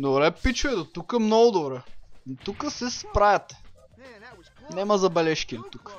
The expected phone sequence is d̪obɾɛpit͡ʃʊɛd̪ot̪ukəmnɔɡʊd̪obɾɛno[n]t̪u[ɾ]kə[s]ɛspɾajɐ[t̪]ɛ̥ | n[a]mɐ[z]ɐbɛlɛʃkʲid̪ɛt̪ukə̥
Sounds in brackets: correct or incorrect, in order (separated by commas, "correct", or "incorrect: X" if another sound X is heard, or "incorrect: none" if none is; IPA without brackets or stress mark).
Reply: incorrect: none, incorrect: none, correct, correct, incorrect: ɛ, correct